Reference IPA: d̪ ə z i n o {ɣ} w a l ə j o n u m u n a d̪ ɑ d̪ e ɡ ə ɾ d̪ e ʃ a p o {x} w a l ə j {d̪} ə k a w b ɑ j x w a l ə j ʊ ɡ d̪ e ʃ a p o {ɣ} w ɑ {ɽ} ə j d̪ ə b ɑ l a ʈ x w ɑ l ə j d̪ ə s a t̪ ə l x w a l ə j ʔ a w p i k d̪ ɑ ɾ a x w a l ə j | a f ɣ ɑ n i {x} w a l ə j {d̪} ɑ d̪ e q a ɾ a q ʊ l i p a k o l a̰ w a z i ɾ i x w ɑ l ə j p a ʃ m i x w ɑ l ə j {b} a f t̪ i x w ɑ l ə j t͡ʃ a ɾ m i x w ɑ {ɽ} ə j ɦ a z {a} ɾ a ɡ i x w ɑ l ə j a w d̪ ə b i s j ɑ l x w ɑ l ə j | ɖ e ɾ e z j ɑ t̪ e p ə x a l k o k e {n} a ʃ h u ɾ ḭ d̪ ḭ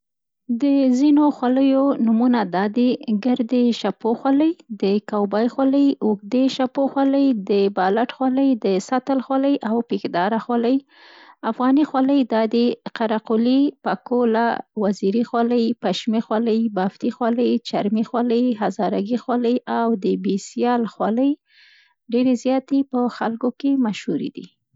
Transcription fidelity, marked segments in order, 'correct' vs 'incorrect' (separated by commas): incorrect, correct, correct, incorrect, incorrect, correct, correct, correct, incorrect, incorrect, incorrect